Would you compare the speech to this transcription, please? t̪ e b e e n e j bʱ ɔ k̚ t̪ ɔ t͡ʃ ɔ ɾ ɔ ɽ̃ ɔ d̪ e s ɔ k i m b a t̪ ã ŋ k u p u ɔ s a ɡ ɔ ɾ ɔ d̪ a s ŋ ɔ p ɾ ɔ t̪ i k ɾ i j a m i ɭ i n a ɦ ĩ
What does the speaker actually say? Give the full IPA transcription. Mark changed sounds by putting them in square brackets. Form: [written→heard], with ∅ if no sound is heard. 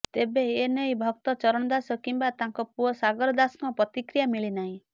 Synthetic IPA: t̪ e b e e n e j bʱ ɔ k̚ t̪ ɔ t͡ʃ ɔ ɾ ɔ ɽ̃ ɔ d̪ [e→a] s ɔ k i m b a t̪ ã ŋ k [u→ɔ] p u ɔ s a ɡ ɔ ɾ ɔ d̪ a s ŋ ɔ p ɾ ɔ t̪ i k ɾ i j a m i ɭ i n a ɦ ĩ